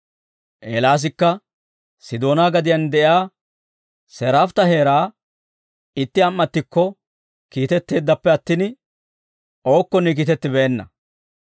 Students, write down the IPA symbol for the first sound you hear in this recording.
ʔ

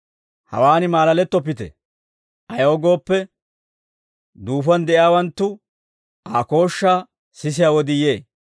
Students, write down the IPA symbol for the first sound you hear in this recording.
h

